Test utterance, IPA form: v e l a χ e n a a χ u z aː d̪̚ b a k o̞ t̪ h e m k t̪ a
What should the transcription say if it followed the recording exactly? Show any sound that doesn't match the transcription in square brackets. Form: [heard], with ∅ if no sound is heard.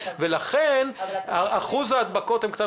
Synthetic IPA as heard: v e l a χ e n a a χ u z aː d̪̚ b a k o̞ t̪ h e m k t̪ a